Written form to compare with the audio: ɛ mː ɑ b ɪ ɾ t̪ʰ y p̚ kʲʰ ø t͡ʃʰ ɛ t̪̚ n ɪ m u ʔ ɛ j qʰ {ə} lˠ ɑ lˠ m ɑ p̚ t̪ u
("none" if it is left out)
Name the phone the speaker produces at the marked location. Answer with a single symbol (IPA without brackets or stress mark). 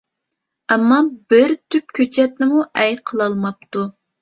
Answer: ə